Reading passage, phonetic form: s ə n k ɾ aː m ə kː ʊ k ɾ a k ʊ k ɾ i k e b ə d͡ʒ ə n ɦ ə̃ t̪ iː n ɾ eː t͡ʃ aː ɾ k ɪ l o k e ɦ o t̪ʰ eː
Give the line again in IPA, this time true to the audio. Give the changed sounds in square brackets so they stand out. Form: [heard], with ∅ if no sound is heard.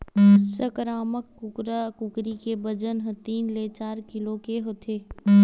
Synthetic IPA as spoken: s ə [∅] k ɾ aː m ə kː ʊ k ɾ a k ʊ k ɾ i k e b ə d͡ʒ ə n ɦ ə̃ t̪ iː n [l] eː t͡ʃ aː ɾ k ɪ l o k e ɦ o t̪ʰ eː